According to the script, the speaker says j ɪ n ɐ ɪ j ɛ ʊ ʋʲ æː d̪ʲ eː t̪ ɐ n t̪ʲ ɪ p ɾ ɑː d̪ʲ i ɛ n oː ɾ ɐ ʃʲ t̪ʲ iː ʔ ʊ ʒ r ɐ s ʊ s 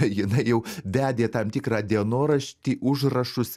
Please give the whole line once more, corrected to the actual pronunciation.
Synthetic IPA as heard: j ɪ n ɐ ɪ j ɛ ʊ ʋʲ æː d̪ʲ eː t̪ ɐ m t̪ʲ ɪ k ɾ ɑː d̪ʲ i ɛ n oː ɾ ɐ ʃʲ t̪ʲ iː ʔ ʊ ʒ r ɐ ʃ ʊ s